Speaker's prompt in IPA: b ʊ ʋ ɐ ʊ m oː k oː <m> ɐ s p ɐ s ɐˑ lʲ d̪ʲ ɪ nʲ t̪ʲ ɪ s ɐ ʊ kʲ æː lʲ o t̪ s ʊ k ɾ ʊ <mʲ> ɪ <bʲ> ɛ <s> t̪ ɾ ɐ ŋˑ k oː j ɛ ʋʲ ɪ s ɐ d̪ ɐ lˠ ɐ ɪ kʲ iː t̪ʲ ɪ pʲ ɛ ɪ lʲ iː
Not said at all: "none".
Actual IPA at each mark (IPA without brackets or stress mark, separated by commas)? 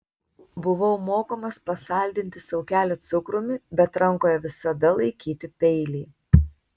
m, mʲ, bʲ, none